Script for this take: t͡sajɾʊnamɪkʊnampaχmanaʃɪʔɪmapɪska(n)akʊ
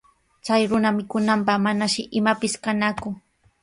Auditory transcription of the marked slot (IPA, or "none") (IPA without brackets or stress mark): n